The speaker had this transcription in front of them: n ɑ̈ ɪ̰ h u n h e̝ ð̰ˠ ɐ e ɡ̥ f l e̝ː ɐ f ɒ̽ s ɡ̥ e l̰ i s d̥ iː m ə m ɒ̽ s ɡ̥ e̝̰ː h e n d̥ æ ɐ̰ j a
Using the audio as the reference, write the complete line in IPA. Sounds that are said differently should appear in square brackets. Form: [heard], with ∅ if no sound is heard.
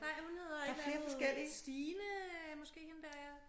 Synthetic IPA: n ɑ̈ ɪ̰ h u n h e̝ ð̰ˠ ɐ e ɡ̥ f l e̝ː ɐ f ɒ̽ s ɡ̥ e l̰ i s d̥ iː [n] ə m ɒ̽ s ɡ̥ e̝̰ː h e n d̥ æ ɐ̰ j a